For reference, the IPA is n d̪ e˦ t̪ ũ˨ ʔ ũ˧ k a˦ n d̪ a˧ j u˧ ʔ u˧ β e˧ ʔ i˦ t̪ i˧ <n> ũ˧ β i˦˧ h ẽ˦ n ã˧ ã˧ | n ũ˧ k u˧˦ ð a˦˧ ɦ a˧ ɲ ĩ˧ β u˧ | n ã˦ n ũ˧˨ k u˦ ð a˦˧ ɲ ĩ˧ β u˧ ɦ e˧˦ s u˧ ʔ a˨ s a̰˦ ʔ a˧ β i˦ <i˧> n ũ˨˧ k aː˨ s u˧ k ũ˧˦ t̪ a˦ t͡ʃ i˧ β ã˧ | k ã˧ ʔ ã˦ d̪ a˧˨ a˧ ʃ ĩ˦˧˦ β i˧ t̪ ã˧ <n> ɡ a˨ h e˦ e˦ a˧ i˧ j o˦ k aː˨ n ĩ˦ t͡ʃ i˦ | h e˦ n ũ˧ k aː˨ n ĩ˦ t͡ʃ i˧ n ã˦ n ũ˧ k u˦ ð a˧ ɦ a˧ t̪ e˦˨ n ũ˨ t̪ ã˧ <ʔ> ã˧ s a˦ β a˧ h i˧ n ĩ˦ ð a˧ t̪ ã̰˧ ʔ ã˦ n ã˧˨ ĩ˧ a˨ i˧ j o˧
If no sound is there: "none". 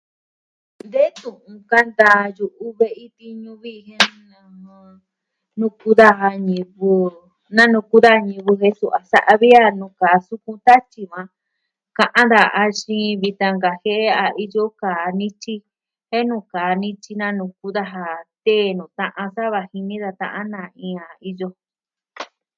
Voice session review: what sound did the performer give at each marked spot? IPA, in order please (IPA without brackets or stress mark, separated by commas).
ɲ, a˧, ŋ, ʔ